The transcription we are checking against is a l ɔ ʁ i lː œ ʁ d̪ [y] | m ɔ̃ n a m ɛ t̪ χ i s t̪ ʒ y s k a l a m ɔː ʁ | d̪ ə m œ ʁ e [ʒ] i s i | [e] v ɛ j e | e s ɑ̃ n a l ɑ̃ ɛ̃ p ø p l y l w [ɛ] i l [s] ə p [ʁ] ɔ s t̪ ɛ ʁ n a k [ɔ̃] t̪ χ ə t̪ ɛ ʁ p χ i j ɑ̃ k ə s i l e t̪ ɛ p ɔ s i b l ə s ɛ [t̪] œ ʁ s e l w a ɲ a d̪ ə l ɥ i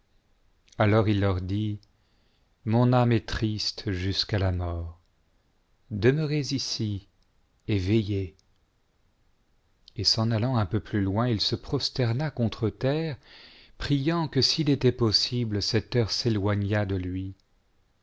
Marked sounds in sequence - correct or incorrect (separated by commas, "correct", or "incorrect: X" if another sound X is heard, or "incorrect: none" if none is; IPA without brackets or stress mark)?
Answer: incorrect: i, incorrect: z, correct, incorrect: ɛ̃, correct, incorrect: χ, correct, correct